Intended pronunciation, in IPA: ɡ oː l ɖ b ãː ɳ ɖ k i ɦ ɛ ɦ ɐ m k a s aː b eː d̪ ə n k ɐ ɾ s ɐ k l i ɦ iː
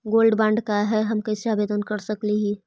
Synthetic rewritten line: ɡ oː l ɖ b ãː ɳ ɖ k a ɦ ɛ ɦ ɐ m k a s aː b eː d̪ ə n k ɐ ɾ s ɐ k l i ɦ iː